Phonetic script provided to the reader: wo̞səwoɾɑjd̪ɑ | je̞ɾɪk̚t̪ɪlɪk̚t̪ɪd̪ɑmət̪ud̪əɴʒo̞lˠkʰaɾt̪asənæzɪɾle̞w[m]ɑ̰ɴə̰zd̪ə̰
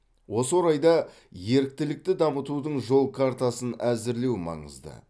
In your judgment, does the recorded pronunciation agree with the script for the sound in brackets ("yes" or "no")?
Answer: yes